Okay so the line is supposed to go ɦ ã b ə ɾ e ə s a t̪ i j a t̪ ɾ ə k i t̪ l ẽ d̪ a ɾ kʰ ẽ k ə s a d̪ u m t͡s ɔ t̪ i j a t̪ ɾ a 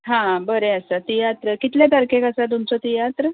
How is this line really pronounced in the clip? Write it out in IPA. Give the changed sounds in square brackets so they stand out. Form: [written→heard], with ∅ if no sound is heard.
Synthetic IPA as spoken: ɦ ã b ə ɾ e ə s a t̪ i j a t̪ ɾ ə k i t̪ l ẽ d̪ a ɾ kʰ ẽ k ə s a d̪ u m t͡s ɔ t̪ i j a t̪ ɾ [a→ə]

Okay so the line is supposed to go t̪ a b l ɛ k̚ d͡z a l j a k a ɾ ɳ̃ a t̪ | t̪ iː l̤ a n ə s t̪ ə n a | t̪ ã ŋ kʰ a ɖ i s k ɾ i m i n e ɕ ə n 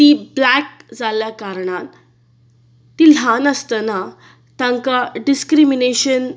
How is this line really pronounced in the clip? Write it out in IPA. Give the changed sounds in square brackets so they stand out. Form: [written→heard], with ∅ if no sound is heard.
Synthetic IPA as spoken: t̪ [a→i] b l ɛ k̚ d͡z a l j a k a ɾ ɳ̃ a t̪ | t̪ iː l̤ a n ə s t̪ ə n a | t̪ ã ŋ [kʰ→k] a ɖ i s k ɾ i m i n e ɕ ə n

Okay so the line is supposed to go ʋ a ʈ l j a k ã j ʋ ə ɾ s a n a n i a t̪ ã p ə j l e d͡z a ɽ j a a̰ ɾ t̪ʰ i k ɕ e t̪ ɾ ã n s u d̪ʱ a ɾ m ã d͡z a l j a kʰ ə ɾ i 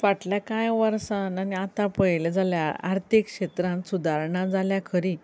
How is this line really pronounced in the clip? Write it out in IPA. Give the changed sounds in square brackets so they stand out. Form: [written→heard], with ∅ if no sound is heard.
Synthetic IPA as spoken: ʋ a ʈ l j a k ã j ʋ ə ɾ s a n a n i a t̪ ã p ə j l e d͡z a [ɽ→l] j a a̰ ɾ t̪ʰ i k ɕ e t̪ ɾ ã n s u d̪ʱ a ɾ [m→ɳ] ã d͡z a l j a kʰ ə ɾ i

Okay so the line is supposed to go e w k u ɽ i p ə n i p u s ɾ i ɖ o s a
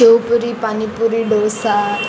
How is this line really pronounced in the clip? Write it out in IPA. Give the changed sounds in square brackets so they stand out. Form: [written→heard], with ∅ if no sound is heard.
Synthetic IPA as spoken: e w [k→p] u [ɽ→ɾ] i p [ə→a] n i p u [s→∅] ɾ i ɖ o s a

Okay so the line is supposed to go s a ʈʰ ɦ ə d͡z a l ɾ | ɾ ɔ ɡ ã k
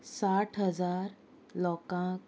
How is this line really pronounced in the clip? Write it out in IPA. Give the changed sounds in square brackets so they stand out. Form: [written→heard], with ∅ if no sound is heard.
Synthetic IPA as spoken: s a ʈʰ ɦ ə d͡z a [l→∅] ɾ | [ɾ→l] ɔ [ɡ→k] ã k

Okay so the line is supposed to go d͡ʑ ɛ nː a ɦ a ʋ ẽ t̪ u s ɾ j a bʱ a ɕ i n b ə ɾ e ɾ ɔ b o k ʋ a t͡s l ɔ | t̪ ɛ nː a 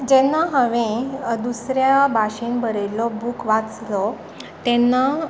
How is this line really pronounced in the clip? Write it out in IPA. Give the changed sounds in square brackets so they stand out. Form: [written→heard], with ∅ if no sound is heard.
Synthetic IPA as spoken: d͡ʑ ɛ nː a ɦ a ʋ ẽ [t̪→d̪] u s ɾ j a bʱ a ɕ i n b ə ɾ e [ɾ→l] ɔ b [o→u] k ʋ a t͡s l ɔ | t̪ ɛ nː a

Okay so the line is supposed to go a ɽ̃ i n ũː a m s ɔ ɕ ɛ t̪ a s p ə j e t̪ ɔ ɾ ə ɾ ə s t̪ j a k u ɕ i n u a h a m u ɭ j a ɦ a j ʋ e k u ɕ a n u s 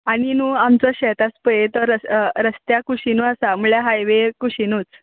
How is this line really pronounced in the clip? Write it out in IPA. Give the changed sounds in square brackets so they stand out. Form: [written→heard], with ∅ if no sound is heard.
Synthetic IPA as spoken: a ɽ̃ i n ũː a m [s→t͡s] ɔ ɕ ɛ t̪ a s p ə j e t̪ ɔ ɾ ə ɾ ə s t̪ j a k u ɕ i n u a [h→s] a m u ɭ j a ɦ a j ʋ e k u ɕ [a→i] n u [s→t͡s]

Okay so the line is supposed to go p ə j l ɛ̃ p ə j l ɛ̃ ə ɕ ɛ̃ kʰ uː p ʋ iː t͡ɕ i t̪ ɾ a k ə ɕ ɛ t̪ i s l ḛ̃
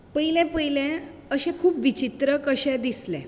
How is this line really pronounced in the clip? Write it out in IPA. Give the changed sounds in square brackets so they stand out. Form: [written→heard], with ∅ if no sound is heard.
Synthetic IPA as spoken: p ə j l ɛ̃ p ə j l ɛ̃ ə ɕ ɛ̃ kʰ uː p ʋ [iː→i] t͡ɕ i t̪ ɾ [a→ə] k ə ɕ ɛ [t̪→d̪] i s l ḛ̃

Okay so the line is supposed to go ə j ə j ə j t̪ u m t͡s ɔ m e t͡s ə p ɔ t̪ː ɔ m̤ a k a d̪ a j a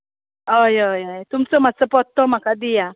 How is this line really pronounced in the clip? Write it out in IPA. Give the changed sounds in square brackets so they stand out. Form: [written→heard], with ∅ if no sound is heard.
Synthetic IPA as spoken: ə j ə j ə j t̪ u m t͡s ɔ m [e→a] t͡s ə p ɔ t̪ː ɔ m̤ a k a d̪ [a→i] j a

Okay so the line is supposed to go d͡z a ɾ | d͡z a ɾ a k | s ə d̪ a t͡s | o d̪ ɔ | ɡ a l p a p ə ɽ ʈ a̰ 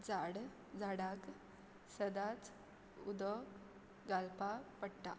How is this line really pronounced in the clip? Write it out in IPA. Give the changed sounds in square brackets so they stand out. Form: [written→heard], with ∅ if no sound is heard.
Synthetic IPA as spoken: d͡z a [ɾ→ɽ] | d͡z a [ɾ→ɽ] a k | s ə d̪ a t͡s | [o→u] d̪ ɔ | ɡ a l p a p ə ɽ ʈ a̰

